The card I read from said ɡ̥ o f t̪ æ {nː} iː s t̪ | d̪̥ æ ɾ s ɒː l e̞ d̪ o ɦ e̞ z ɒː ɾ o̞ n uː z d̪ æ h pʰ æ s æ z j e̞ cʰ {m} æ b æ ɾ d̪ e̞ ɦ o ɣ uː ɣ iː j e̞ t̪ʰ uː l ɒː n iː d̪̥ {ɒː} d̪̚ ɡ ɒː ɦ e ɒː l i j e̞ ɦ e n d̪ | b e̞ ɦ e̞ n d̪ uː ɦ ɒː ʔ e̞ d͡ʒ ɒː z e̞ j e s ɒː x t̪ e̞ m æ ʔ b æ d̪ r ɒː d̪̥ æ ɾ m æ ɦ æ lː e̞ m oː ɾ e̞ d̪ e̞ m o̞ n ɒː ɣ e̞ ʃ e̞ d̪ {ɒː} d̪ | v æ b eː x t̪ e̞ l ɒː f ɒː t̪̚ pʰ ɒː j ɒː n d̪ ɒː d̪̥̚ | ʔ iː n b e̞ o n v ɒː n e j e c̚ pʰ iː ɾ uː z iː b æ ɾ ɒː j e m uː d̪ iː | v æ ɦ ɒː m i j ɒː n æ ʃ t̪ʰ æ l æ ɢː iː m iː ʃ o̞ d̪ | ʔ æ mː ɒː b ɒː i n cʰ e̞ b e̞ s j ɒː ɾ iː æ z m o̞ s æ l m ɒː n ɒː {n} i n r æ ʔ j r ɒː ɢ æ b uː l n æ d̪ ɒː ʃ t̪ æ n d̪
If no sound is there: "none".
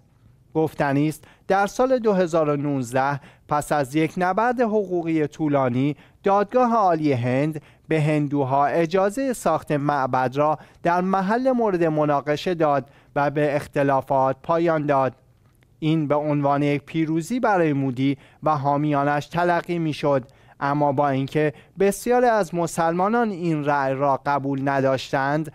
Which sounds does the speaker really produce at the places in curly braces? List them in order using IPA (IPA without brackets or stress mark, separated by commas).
n, n, ɒː, ɒː, n